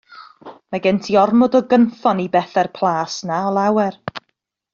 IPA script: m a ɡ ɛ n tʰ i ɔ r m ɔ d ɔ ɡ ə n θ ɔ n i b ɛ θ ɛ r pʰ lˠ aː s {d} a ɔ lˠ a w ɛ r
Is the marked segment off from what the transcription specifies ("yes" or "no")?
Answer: yes